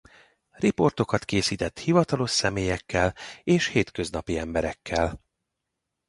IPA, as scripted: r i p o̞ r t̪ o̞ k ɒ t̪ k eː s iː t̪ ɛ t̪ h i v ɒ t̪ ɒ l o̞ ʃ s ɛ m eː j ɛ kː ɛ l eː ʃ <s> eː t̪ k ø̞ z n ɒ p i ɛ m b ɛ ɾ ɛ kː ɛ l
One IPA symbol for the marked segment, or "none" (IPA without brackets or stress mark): h